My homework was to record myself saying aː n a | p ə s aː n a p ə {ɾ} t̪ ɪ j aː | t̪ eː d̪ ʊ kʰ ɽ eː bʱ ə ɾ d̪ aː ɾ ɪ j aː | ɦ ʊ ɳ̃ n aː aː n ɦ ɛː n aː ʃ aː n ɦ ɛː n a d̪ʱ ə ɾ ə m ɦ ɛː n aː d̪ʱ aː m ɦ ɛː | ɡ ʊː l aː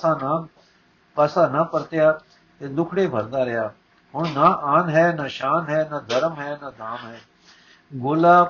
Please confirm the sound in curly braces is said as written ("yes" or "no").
yes